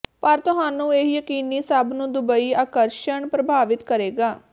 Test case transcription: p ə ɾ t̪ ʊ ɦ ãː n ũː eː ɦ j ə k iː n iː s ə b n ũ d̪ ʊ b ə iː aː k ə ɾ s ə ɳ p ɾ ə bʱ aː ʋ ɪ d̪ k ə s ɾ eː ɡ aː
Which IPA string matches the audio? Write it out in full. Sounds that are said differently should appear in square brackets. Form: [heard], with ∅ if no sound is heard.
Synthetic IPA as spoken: p ə ɾ t̪ ʊ ɦ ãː n ũː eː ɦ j ə k iː n iː s ə b n [ũː] d̪ ʊ b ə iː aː k ə ɾ [ʃ] ə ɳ p ɾ ə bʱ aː ʋ ɪ [t̪] k ə [∅] ɾ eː ɡ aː